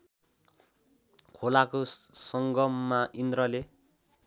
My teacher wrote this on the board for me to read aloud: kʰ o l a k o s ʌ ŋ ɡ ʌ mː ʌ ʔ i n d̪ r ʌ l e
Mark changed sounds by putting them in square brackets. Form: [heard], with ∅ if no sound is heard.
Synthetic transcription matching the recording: kʰ o l a k o s ʌ ŋ ɡ ʌ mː [a] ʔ i n d̪ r ʌ l e